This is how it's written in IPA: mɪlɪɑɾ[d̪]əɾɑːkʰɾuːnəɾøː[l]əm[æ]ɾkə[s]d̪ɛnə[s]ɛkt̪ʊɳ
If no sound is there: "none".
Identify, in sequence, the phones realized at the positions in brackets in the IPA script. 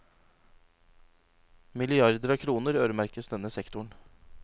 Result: d̪, ɾ, æ, s, s

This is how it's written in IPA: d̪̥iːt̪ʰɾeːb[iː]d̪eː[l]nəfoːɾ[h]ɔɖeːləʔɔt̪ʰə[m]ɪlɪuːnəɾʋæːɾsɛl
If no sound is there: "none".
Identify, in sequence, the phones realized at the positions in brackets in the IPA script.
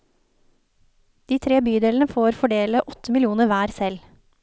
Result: yː, l, f, m

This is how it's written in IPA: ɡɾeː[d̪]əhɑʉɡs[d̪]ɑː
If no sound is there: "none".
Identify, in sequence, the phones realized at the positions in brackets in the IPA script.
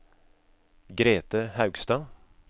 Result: t̪, t̪

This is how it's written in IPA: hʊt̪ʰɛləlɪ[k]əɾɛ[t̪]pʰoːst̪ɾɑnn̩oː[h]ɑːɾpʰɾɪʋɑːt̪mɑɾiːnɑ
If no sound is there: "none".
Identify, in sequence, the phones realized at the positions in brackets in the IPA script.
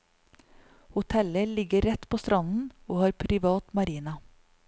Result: ɡ, t̪, h

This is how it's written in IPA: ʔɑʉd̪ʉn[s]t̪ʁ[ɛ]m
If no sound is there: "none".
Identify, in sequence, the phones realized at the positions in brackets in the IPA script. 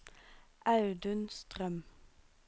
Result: s, œ

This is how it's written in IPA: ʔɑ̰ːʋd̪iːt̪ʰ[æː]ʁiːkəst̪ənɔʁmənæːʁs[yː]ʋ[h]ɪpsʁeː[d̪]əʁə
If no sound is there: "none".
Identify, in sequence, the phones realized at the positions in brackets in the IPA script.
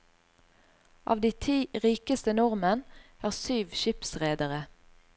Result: iː, yː, ʃ, d̪

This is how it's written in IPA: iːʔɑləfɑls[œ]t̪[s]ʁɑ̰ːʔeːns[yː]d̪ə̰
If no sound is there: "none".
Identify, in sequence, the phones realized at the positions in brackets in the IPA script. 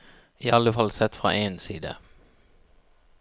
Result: ɛ, f, iː

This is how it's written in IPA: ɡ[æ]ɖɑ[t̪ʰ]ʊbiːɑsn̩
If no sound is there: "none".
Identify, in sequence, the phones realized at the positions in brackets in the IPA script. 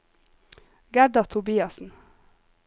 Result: æ, t̪ʰ

